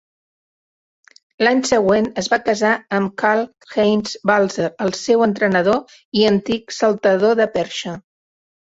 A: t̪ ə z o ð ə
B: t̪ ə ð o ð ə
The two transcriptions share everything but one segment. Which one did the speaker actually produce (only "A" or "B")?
B